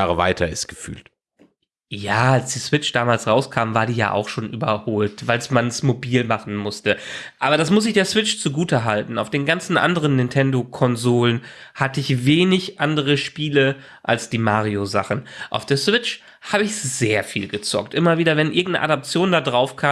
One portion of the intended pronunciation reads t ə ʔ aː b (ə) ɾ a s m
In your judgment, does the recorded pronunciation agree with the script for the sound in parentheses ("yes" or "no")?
no